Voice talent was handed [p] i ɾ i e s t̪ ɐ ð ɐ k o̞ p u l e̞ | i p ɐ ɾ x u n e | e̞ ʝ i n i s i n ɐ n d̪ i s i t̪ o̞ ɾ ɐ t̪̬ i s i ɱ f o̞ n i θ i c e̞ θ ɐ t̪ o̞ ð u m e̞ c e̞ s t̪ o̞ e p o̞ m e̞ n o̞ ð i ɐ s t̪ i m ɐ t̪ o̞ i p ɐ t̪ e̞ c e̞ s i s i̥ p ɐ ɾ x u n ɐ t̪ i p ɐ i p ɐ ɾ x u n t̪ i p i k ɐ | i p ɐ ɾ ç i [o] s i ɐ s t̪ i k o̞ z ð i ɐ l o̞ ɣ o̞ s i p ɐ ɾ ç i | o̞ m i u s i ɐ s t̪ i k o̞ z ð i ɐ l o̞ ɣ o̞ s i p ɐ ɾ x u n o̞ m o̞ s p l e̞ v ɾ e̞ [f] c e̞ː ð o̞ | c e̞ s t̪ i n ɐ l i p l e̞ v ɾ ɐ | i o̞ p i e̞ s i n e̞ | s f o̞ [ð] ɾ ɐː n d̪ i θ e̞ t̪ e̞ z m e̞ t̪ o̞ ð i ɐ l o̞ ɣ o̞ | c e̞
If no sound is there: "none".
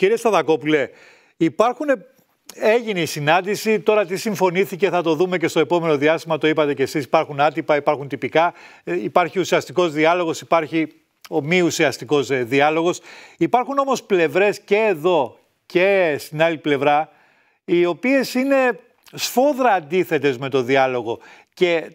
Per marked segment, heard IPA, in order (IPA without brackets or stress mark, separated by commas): c, u, s, ð